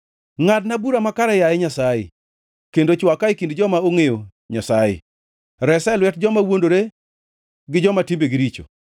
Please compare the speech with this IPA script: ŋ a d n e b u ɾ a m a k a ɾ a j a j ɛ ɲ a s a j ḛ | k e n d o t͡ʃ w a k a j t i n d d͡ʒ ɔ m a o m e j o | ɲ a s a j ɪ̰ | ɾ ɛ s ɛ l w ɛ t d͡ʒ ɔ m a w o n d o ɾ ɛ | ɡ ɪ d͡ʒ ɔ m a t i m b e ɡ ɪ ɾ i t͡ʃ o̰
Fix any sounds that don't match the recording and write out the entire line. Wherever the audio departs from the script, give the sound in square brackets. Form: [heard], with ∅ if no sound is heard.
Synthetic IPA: ŋ a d n [a] b u ɾ a m a k a ɾ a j a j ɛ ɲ a s a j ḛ | k e n d o t͡ʃ w a k a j [k] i n d d͡ʒ ɔ m a o [ŋ] e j o | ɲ a s a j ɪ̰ | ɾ ɛ s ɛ l w ɛ t d͡ʒ ɔ m a w o n d o ɾ [e] | ɡ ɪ d͡ʒ ɔ m a t i m b e ɡ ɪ ɾ i t͡ʃ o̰